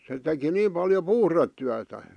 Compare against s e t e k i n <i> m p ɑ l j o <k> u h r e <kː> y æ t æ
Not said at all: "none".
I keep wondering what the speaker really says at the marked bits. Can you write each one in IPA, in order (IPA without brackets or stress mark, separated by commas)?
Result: iː, p, tː